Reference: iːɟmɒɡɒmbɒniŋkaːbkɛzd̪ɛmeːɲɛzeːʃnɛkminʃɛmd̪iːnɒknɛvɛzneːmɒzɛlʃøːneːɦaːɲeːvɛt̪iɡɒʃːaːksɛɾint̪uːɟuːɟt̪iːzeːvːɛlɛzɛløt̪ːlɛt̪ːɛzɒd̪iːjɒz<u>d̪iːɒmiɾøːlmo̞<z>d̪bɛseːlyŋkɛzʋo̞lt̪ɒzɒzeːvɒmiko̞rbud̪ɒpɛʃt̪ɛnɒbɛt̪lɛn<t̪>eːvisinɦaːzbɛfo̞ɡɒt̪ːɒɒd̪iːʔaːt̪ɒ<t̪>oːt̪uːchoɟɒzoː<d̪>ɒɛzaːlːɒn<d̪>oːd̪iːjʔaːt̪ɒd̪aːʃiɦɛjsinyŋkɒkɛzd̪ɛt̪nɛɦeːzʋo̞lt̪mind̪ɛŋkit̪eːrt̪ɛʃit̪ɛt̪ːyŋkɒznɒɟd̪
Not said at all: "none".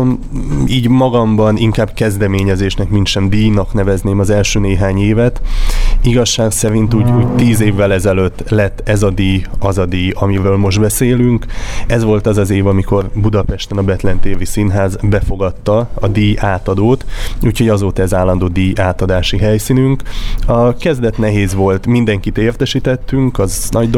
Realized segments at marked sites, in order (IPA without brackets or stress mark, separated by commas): ɒ, ʒ, t̪, d̪, t̪, d̪